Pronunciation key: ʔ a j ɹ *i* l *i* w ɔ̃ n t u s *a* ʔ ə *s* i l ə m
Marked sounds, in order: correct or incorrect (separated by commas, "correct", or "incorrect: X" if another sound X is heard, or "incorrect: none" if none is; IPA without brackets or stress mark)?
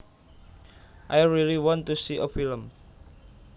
correct, correct, incorrect: i, incorrect: f